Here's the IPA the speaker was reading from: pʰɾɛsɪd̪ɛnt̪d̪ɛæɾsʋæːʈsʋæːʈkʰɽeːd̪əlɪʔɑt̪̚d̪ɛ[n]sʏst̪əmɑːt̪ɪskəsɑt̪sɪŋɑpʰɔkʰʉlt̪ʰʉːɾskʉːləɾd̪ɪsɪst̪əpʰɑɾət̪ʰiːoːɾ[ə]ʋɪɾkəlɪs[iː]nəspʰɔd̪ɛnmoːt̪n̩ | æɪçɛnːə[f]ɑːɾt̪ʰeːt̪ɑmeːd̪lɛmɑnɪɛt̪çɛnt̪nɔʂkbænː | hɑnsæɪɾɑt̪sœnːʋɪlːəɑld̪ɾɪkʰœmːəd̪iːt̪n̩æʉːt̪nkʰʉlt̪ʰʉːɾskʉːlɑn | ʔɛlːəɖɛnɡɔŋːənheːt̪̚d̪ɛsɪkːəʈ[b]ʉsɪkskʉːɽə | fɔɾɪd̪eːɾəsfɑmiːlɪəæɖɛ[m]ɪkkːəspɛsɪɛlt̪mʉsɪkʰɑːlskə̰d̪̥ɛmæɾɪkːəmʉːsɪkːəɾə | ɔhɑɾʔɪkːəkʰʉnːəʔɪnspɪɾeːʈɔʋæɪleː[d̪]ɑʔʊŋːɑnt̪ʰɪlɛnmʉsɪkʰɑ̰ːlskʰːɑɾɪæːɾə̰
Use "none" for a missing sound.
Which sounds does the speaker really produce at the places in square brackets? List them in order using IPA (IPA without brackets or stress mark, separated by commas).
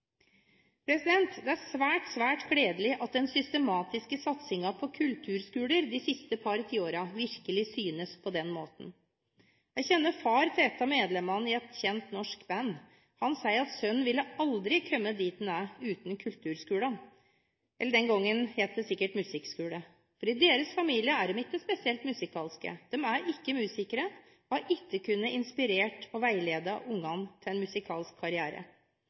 n, ɑ, yː, f, m, m, d̪